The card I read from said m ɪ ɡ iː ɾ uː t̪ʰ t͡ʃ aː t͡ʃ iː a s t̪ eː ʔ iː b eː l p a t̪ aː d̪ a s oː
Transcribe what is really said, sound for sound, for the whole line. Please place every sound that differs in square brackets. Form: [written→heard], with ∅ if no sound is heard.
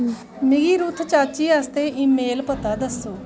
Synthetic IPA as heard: m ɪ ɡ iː ɾ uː t̪ʰ t͡ʃ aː t͡ʃ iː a s t̪ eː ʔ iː [b→m] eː l p [a→ə] t̪ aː d̪ [a→ə] s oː